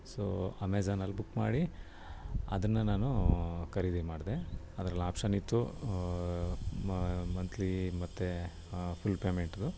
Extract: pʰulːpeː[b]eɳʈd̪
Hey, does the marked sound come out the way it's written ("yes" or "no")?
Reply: no